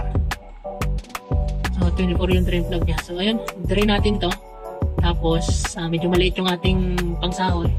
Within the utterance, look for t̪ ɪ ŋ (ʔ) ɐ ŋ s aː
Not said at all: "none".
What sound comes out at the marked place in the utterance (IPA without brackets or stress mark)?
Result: p